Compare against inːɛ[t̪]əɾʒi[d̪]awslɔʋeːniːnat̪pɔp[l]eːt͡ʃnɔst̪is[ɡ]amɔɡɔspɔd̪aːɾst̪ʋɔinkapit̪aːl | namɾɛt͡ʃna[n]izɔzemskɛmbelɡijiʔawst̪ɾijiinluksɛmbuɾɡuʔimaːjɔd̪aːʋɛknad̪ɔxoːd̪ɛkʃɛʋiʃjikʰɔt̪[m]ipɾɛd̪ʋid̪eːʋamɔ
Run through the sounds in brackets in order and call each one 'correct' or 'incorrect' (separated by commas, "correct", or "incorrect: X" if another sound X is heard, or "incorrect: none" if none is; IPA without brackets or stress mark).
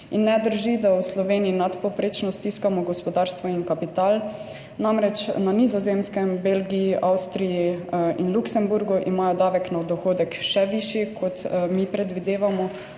incorrect: d̪, correct, incorrect: ɾ, incorrect: k, correct, correct